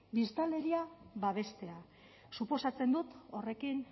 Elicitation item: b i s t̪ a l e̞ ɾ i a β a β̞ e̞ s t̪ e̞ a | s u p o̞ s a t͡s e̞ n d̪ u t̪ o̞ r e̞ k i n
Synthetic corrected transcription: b i s t̪ a l e̞ ɾ i a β a β̞ e̞ s t̪ e̞ a | s u p o̞ s a t͡s e̞ n d̪ u t̪ o̞ r e̞ k i n